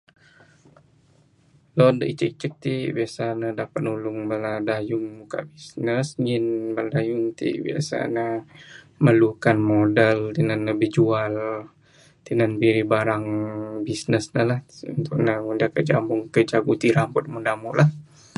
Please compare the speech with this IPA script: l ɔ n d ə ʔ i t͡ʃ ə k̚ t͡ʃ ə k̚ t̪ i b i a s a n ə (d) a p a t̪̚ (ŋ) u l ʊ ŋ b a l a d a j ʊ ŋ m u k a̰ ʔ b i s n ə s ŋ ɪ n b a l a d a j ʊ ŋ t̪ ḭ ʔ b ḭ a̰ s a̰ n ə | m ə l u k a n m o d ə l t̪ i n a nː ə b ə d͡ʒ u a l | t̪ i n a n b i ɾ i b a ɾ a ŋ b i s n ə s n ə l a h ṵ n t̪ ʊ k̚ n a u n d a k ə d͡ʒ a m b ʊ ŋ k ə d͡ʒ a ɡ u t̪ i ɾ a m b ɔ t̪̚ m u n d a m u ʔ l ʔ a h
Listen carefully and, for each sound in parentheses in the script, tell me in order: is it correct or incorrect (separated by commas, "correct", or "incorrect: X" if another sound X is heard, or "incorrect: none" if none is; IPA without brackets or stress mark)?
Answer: correct, incorrect: n